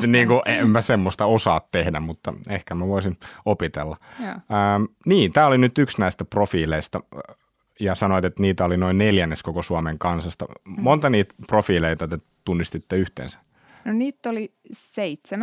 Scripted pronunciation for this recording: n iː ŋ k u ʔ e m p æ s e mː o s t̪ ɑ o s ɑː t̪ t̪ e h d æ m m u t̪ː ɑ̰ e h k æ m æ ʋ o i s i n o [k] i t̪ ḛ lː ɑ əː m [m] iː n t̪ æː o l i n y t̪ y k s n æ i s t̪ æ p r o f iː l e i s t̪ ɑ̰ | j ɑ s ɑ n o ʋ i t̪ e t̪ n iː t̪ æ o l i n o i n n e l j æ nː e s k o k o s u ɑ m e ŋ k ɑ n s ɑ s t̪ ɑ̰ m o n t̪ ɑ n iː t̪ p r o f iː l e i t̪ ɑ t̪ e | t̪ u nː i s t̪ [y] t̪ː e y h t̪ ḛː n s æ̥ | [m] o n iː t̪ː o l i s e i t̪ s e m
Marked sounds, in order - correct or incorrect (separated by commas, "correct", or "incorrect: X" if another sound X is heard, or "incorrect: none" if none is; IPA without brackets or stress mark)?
incorrect: p, incorrect: n, incorrect: i, incorrect: n